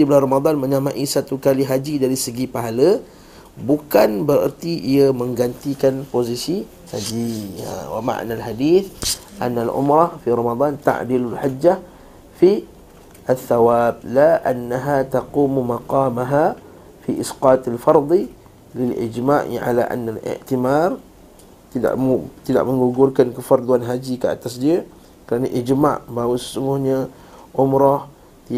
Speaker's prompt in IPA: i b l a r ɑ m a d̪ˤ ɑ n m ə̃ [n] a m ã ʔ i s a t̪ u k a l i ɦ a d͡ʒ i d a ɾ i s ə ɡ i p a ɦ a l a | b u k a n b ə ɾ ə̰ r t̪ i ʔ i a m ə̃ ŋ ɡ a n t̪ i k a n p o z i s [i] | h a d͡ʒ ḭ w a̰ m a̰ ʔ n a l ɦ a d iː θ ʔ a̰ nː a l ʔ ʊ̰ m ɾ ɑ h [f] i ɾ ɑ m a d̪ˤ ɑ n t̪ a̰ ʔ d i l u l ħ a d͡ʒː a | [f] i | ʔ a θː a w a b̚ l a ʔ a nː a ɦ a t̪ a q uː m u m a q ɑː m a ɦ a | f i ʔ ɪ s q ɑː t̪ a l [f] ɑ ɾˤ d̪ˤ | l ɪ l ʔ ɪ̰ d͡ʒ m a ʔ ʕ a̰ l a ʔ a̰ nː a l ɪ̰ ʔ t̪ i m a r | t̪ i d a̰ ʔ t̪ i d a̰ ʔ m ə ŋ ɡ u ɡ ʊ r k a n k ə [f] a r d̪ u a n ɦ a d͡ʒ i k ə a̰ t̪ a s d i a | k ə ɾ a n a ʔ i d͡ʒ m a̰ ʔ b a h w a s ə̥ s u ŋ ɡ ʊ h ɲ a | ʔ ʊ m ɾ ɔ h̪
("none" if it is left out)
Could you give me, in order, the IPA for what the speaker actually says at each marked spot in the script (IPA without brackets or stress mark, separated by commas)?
ɲ, i, f, f, f, f